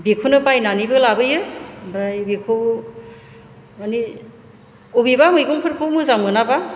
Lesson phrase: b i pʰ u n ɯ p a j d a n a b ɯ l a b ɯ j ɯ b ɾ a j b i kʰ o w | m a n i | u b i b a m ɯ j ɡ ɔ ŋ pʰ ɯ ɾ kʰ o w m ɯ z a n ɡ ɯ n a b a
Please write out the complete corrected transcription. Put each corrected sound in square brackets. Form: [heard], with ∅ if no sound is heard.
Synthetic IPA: b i [kʰ] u n ɯ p a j [n] a n [i] b ɯ l a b ɯ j ɯ b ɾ a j b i kʰ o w | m a n i | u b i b a m ɯ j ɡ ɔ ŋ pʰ ɯ ɾ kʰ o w m ɯ z a [m] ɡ ɯ n a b a